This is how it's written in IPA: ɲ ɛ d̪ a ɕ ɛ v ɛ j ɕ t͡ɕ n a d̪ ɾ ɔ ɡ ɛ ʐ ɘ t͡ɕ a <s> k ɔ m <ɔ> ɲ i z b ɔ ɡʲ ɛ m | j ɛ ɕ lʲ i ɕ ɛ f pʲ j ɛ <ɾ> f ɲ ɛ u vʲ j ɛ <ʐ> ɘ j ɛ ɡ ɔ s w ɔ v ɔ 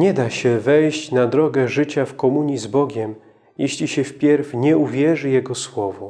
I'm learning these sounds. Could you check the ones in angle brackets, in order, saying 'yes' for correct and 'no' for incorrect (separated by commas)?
no, no, yes, yes